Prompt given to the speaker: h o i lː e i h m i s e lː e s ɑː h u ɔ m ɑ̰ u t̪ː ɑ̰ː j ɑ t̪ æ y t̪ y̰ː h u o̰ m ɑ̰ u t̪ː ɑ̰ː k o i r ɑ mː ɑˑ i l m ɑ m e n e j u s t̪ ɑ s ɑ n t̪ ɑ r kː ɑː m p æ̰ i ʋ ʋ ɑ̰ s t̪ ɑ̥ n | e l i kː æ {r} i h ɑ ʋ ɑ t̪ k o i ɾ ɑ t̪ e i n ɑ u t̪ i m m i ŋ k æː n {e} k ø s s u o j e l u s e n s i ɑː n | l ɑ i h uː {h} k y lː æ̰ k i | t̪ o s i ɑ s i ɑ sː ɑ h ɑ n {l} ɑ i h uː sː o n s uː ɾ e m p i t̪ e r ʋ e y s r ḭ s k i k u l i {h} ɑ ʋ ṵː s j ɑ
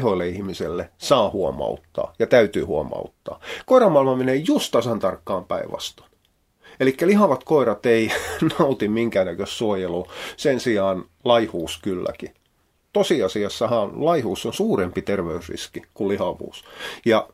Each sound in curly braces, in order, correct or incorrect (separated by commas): incorrect, incorrect, incorrect, correct, correct